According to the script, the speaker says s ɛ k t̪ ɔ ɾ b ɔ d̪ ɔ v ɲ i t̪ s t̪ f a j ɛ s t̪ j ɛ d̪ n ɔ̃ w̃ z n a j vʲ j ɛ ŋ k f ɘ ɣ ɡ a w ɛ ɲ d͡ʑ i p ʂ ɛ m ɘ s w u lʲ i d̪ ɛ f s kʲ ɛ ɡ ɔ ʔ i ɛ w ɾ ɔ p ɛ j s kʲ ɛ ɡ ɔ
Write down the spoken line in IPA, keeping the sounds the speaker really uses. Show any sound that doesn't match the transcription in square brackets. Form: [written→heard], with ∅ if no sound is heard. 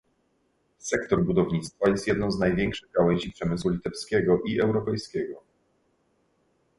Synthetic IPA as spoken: s ɛ k t̪ ɔ ɾ b [ɔ→u] d̪ ɔ v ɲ i t̪ s t̪ f a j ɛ s t̪ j ɛ d̪ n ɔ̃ w̃ z n a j vʲ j ɛ ŋ k [f→ʂ] ɘ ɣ ɡ a w ɛ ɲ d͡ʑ i p ʂ ɛ m ɘ s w u lʲ i [d̪→t̪] ɛ f s kʲ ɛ ɡ ɔ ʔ i ɛ w ɾ ɔ p ɛ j s kʲ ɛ ɡ ɔ